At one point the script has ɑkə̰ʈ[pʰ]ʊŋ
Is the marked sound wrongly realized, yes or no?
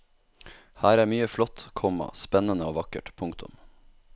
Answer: no